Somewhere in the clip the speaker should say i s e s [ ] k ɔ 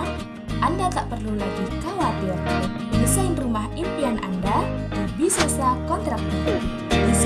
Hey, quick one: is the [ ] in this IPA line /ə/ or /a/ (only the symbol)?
a